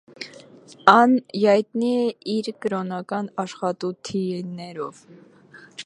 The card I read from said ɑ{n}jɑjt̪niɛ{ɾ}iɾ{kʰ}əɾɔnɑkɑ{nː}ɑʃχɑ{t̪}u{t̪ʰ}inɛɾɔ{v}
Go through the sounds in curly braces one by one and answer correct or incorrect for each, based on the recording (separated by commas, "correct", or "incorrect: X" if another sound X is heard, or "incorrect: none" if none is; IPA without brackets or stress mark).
correct, incorrect: none, incorrect: k, incorrect: n, correct, correct, correct